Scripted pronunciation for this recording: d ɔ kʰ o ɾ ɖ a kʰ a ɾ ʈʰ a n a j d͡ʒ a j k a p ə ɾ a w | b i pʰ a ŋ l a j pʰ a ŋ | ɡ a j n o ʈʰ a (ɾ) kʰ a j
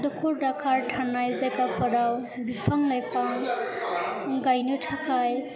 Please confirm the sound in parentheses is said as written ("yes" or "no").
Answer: no